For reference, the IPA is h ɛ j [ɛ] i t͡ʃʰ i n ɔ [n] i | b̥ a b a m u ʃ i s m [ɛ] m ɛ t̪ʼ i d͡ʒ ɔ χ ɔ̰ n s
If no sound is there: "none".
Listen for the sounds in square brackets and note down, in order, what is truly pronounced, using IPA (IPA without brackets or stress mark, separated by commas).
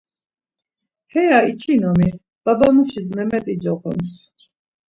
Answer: a, m, ɛ